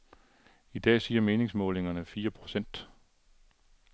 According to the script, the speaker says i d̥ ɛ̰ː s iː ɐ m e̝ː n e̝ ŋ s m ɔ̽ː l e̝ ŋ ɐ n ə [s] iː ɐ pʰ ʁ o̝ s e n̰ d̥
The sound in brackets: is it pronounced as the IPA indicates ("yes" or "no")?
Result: no